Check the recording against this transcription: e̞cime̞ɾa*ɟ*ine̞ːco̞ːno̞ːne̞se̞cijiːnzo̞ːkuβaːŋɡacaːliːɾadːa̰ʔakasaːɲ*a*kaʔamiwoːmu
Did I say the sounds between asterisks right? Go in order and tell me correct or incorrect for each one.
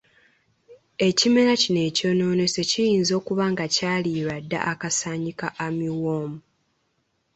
incorrect: c, incorrect: i

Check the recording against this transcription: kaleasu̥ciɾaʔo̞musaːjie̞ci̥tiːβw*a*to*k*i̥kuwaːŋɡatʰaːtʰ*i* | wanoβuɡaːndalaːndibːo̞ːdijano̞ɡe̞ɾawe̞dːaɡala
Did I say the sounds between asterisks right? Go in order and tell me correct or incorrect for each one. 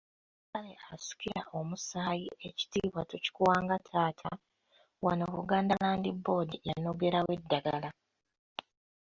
correct, incorrect: c, incorrect: a

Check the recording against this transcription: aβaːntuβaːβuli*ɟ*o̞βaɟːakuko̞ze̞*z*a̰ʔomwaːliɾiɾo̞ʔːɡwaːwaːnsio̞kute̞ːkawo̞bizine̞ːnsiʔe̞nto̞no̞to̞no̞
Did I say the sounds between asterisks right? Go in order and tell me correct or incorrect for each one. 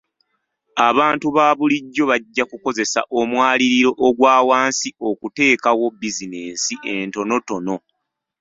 incorrect: ɟː, incorrect: s

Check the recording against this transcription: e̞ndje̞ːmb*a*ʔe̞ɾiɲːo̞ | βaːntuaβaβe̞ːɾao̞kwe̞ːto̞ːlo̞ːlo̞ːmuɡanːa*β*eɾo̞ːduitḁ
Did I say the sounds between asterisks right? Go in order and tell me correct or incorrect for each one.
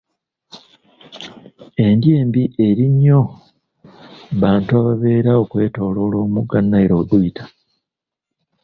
incorrect: i, incorrect: none

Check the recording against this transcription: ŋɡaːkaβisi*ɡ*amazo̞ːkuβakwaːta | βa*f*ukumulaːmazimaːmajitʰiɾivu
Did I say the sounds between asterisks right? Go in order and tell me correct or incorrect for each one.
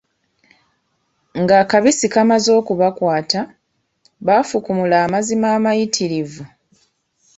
incorrect: k, correct

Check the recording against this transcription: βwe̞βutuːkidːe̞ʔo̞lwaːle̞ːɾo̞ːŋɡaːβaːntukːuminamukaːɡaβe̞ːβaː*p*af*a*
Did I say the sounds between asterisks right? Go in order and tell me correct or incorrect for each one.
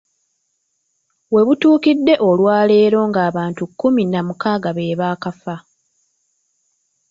incorrect: k, correct

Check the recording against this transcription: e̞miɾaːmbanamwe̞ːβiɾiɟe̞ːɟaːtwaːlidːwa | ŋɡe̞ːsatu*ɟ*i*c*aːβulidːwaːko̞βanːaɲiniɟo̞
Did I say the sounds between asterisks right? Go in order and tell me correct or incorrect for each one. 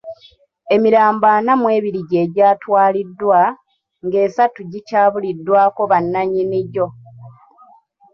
correct, correct

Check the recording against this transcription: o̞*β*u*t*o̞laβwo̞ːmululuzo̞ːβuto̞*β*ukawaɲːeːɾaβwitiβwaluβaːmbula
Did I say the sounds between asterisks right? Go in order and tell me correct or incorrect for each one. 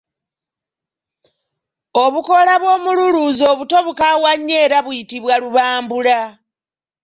correct, incorrect: k, correct

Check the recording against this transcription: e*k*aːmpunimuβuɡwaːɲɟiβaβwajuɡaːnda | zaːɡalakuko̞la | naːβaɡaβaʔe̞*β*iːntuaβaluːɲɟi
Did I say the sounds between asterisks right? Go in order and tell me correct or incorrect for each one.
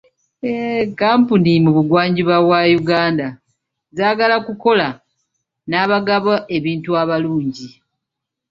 correct, correct

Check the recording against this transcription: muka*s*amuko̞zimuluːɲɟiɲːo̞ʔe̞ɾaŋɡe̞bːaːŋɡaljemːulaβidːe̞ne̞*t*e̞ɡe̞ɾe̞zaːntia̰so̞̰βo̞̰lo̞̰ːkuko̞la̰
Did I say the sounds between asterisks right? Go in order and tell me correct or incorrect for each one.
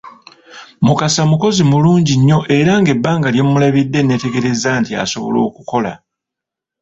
correct, correct

